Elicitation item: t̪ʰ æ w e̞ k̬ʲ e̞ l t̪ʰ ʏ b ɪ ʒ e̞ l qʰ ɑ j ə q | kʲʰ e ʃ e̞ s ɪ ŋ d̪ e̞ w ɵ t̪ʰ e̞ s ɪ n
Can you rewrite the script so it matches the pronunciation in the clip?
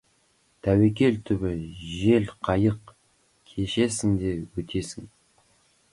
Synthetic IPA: t̪ʰ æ w e̞ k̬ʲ e̞ l t̪ʰ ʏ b ɪ ʒ e̞ l qʰ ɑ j ə q | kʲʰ e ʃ e̞ s ɪ ŋ d̪ e̞ w ɵ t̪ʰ e̞ s ɪ ŋ